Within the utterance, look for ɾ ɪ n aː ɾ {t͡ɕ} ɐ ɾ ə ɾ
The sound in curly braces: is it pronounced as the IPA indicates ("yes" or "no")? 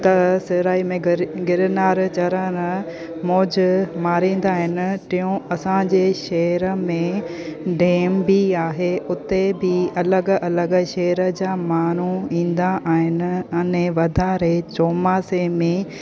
yes